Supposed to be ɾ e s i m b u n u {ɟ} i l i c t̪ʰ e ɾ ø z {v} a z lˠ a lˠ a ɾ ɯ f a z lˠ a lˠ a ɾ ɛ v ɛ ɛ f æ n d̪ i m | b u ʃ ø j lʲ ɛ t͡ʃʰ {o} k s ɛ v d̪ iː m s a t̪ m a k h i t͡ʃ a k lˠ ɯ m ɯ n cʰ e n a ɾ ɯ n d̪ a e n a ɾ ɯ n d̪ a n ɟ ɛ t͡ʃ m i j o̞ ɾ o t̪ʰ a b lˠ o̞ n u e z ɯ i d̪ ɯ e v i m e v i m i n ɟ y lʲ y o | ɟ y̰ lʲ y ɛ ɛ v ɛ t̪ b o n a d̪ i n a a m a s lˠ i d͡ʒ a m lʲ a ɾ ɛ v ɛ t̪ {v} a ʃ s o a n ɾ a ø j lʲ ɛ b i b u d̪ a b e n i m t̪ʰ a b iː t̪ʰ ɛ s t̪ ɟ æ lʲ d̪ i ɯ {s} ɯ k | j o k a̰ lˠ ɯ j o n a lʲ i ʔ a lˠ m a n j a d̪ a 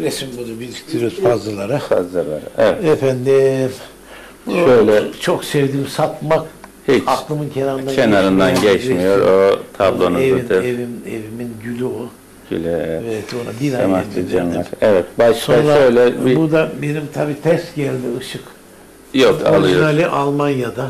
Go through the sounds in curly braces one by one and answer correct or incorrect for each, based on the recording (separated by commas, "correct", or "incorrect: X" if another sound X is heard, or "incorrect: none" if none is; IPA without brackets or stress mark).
incorrect: b, incorrect: f, correct, incorrect: b, incorrect: ʃ